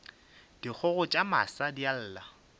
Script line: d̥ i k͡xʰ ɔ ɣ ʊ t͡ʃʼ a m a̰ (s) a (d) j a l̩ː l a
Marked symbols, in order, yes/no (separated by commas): yes, yes